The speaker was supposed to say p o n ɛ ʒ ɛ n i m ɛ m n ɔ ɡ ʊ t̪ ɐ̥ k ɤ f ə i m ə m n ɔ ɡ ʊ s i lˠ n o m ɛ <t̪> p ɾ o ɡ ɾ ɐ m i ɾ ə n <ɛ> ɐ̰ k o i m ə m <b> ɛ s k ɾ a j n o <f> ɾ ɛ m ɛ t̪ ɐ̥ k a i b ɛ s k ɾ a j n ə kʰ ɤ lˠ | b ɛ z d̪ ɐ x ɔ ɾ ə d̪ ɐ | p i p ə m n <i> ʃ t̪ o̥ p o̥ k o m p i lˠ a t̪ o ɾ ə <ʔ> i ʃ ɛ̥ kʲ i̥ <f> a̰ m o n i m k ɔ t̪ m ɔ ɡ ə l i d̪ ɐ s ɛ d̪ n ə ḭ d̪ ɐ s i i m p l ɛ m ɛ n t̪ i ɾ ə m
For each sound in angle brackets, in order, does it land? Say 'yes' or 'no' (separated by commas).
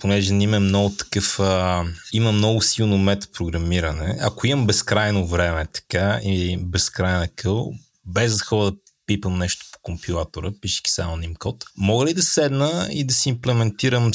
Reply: yes, yes, yes, no, no, no, no